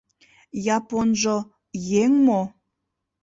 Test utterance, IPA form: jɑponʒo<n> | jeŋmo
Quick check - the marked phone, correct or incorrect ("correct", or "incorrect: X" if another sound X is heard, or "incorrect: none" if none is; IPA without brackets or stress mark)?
incorrect: none